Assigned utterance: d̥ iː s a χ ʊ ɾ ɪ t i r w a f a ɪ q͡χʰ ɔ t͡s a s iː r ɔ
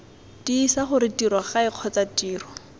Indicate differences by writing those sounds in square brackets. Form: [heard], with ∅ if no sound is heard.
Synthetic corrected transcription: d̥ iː s a χ ʊ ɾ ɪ t i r w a [χ] a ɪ q͡χʰ ɔ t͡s a [t] iː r ɔ